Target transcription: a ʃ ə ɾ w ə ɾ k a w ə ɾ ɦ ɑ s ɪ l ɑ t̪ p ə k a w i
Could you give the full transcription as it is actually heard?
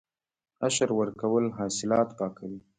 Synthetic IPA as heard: a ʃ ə ɾ w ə ɾ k a w ə l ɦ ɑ s ɪ l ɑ t̪ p ɑ k a w i